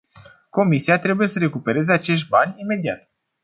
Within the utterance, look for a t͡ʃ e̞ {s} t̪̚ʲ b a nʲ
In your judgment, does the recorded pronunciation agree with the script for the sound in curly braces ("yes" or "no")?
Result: no